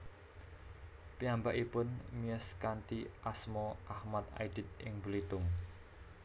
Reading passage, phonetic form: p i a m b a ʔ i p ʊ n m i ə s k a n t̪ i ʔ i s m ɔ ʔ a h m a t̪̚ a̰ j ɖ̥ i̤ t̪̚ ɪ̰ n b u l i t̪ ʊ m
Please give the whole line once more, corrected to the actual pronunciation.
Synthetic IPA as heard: p i a m b a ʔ i p ʊ n m i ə s k a n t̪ i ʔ a s m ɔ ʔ a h m a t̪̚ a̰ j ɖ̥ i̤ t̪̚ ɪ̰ ŋ b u l i t̪ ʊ m